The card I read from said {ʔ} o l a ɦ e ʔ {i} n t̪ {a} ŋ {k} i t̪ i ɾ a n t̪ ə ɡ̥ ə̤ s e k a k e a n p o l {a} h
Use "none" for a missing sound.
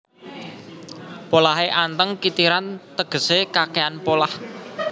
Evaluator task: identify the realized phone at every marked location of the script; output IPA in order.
p, a, ə, k, a

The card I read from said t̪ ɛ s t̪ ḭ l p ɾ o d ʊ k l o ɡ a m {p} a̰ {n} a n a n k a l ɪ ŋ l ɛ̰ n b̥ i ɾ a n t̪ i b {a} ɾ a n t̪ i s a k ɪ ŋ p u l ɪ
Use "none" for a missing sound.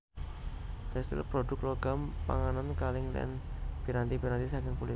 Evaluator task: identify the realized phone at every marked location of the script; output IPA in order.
p, ŋ, i

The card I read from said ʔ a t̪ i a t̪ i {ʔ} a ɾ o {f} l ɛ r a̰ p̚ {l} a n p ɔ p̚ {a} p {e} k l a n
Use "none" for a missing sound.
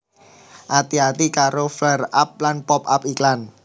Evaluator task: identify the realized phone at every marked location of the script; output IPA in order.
k, f, l, a, i

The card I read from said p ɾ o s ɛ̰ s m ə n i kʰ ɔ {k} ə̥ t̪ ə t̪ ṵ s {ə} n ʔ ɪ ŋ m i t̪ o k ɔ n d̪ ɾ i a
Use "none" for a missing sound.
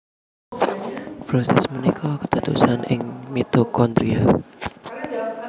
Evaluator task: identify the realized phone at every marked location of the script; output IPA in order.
k, a

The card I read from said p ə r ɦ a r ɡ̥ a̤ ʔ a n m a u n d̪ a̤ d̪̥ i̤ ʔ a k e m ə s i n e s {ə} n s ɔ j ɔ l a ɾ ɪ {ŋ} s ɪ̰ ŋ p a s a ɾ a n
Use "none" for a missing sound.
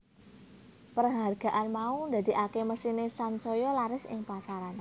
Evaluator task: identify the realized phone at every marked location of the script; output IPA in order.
a, none

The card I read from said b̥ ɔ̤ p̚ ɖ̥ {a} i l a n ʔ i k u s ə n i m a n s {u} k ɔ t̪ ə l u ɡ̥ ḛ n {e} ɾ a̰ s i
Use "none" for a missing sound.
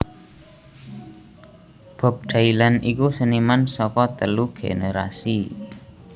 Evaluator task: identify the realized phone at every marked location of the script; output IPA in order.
a, ɔ, e

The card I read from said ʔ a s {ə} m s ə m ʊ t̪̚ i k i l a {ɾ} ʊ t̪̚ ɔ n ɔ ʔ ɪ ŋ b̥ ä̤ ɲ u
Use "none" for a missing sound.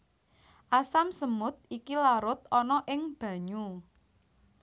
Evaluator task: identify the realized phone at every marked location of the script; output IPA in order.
a, ɾ

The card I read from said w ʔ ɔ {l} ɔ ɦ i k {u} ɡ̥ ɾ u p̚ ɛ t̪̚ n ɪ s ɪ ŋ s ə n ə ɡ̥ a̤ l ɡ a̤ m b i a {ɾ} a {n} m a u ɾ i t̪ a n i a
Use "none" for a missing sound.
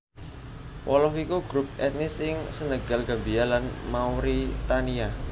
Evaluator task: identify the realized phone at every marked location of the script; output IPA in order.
l, u, l, n

